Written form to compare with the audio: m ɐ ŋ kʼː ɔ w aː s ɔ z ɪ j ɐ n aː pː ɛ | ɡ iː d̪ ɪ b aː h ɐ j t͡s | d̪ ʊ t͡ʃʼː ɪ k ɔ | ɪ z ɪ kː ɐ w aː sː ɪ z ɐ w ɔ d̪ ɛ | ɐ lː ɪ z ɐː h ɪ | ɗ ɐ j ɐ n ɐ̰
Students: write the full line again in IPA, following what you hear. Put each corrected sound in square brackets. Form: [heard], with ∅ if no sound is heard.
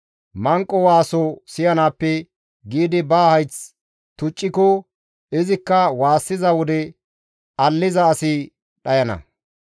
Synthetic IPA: m ɐ ŋ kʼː ɔ w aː s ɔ [s] ɪ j ɐ n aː pː ɛ | ɡ iː d̪ ɪ b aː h ɐ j t͡s | [t̪] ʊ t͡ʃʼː ɪ k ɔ | ɪ z ɪ kː ɐ w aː sː ɪ z ɐ w ɔ d̪ ɛ | ɐ lː ɪ z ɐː [s] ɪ | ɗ ɐ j ɐ n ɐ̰